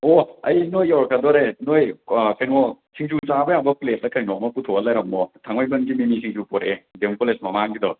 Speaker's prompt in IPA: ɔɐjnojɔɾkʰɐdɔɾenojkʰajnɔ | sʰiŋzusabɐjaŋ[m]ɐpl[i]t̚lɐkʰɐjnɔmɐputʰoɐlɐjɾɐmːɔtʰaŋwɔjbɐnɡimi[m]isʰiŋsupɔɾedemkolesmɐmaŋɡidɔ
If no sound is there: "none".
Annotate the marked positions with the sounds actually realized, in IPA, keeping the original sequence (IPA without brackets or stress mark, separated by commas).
b, e, m